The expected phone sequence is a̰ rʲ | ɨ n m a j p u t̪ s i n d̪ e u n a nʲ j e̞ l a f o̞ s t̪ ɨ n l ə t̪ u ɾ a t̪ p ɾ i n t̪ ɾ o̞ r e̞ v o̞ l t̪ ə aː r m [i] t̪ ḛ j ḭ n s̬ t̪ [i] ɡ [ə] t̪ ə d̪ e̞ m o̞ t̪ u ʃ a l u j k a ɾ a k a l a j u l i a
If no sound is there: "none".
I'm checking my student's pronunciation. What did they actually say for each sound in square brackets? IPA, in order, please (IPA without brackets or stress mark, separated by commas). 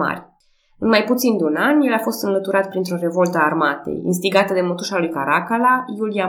a, i, a